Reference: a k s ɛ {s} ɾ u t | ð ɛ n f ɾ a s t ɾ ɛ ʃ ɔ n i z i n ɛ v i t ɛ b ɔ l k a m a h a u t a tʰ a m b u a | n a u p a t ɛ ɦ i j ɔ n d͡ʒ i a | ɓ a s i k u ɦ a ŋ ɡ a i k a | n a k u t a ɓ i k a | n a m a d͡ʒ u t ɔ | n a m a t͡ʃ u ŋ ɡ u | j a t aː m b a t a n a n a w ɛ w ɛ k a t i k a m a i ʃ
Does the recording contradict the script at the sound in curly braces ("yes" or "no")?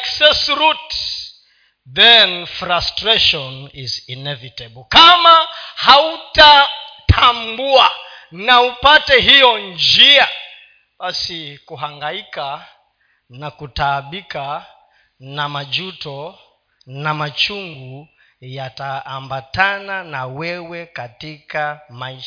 no